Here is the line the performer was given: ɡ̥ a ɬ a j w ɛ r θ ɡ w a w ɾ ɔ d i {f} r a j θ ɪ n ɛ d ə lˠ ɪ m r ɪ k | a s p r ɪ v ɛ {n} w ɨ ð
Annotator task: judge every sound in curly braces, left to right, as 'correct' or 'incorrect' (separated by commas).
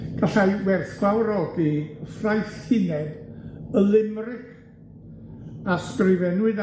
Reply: correct, correct